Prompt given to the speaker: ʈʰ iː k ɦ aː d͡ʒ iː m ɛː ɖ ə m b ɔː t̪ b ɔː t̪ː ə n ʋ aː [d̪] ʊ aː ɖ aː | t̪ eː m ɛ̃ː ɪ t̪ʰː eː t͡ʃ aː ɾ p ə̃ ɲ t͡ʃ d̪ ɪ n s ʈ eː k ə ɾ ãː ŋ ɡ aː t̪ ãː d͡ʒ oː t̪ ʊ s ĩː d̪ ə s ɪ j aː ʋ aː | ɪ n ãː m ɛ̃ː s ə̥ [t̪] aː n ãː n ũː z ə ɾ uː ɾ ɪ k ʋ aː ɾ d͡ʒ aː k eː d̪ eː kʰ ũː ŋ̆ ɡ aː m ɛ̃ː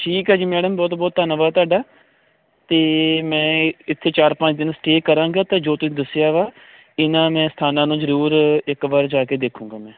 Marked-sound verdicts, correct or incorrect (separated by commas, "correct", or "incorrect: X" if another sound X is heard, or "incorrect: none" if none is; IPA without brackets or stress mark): incorrect: t̪, incorrect: t̪ʰ